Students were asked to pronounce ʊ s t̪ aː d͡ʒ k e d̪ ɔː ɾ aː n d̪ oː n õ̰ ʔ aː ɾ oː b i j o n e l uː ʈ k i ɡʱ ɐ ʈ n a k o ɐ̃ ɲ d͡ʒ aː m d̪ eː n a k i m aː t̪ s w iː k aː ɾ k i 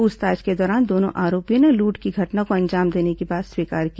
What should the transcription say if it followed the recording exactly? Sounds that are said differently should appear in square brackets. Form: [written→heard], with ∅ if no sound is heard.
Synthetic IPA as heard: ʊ s t̪ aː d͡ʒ k e d̪ ɔː ɾ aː n d̪ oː n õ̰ ʔ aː ɾ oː [b→p] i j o n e l uː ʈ k i ɡʱ ɐ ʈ n a k o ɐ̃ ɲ d͡ʒ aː m d̪ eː n [a→e] k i [m→b] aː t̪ s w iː k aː ɾ k i